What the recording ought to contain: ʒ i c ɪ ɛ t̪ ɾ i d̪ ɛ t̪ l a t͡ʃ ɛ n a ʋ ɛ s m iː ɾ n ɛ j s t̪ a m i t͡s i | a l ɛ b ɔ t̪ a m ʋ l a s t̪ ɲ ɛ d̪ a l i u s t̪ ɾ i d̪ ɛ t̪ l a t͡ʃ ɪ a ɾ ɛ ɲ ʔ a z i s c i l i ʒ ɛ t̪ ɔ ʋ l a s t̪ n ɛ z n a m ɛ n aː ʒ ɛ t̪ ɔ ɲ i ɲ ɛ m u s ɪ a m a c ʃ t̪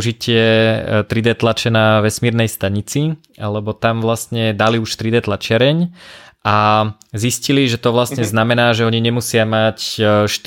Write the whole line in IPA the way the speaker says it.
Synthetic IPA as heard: ʒ i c ɪ ɛ t̪ ɾ i d̪ ɛ t̪ l a t͡ʃ ɛ n a ʋ ɛ s m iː ɾ n ɛ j s t̪ a ɲ i t͡s i | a l ɛ b ɔ t̪ a m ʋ l a s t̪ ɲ ɛ d̪ a l i u ʃ t̪ ɾ i d̪ ɛ t̪ l a t͡ʃ ɪ a ɾ ɛ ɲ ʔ a z i s c i l i ʒ ɛ t̪ ɔ ʋ l a s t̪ ɲ ɛ z n a m ɛ n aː ʒ ɛ ɔ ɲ i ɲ ɛ m u s ɪ a m a c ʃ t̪